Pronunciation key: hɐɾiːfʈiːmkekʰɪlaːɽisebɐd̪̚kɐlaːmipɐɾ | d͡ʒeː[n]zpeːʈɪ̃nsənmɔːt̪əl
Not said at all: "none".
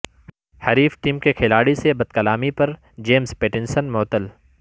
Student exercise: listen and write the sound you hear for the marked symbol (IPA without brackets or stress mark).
m